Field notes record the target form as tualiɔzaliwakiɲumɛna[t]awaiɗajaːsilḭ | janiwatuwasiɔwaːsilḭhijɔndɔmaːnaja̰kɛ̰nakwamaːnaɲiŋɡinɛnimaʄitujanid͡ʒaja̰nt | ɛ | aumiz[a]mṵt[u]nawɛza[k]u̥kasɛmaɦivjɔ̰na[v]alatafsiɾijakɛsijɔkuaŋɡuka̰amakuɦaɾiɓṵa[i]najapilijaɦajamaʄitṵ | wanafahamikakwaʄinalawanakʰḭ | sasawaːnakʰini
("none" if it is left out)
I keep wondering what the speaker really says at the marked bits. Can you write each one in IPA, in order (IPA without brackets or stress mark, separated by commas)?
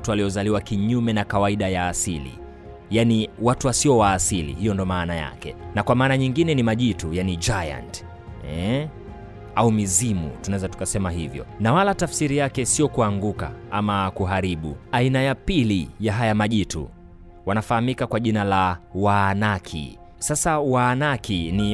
k, i, u, t, w, i